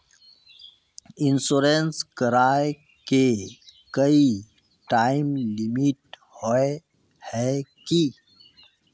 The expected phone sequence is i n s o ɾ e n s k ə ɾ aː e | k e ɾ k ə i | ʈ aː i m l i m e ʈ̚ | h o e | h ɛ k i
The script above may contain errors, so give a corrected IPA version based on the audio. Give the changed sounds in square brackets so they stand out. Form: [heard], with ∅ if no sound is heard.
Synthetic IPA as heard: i n s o ɾ e n s k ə ɾ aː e | k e [∅] k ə i | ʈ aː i m l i m [i] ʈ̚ | h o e | h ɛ k i